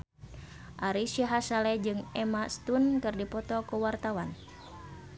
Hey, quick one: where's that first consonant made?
throat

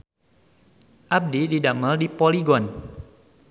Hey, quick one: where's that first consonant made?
throat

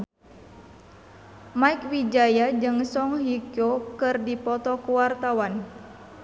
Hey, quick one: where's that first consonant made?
lips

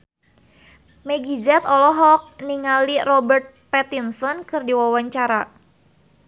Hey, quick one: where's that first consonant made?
lips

